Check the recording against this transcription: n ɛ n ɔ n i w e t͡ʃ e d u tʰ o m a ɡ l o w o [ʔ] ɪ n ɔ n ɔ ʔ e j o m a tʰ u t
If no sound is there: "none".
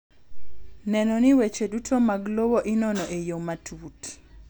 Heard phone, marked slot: ʔ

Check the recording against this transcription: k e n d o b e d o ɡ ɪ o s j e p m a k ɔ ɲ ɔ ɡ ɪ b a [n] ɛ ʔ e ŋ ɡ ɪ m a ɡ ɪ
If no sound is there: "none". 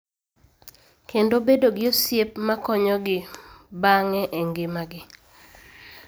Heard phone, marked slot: ŋ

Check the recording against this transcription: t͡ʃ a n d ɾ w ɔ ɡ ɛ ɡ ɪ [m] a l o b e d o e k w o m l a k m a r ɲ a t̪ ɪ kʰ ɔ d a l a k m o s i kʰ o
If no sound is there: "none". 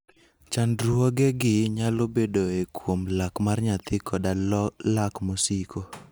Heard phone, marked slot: ɲ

